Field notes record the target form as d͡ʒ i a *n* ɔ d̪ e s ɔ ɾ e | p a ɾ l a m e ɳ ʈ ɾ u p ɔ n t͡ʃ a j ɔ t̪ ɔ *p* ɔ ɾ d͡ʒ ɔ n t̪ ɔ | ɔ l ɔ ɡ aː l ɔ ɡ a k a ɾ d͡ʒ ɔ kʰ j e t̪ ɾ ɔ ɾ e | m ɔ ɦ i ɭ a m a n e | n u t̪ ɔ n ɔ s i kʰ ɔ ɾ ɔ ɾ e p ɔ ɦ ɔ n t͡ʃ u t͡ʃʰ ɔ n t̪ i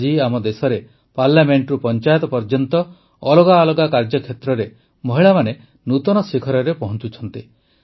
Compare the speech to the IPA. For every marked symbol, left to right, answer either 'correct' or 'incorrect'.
incorrect, correct

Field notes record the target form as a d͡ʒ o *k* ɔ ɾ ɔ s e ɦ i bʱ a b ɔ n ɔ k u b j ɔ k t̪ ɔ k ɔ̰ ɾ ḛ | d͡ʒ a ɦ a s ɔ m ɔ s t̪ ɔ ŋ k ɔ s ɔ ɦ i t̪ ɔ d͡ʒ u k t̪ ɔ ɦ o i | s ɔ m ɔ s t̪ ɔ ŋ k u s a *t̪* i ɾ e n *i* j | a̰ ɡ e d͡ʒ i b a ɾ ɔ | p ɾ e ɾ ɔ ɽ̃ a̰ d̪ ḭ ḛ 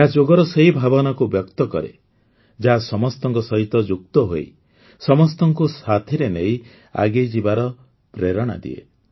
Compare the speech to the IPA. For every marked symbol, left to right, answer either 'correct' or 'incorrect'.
incorrect, incorrect, incorrect

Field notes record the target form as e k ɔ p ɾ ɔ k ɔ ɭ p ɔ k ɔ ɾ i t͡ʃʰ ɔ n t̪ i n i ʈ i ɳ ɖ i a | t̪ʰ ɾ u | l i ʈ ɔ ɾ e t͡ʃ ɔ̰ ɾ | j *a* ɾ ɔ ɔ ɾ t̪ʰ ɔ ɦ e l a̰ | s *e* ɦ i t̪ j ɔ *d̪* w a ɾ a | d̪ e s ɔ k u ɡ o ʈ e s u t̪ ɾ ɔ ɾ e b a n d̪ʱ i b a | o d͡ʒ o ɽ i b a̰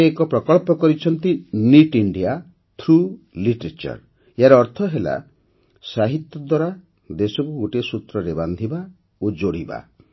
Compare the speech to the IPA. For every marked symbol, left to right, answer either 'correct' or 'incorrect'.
correct, incorrect, correct

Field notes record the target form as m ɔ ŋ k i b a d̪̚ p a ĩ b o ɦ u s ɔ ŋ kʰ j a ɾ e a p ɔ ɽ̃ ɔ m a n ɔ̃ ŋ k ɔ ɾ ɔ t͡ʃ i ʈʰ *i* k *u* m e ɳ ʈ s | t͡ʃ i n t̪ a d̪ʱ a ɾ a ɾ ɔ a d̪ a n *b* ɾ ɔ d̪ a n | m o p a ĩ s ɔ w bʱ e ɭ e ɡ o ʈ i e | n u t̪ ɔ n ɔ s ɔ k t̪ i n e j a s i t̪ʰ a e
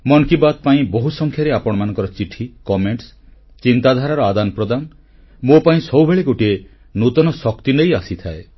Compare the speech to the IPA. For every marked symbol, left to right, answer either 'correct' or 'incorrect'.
correct, incorrect, incorrect

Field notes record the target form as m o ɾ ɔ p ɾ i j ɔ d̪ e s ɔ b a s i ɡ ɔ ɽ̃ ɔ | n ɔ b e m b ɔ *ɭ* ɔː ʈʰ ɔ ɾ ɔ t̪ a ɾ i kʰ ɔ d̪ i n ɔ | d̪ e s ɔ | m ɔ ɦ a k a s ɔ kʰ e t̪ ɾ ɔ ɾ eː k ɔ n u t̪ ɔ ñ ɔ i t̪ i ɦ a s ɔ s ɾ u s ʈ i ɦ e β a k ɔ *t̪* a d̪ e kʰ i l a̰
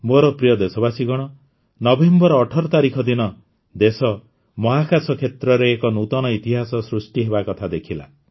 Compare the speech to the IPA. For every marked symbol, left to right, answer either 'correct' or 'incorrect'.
incorrect, incorrect

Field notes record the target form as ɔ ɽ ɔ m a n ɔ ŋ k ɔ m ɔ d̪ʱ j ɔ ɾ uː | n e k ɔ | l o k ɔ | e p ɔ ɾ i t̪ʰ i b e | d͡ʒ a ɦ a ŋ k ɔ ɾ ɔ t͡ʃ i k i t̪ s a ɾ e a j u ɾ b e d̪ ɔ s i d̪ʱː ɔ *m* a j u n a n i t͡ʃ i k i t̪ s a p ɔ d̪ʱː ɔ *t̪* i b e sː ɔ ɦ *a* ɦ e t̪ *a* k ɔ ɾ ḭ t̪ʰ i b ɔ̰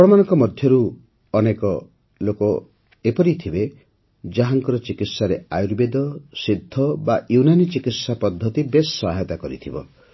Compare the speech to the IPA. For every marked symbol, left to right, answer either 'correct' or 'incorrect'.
incorrect, correct, correct, correct

